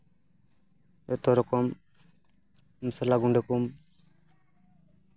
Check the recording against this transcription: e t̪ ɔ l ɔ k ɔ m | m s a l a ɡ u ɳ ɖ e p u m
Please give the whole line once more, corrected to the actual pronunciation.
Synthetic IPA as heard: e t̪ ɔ ɾ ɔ k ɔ m | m s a l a ɡ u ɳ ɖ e k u m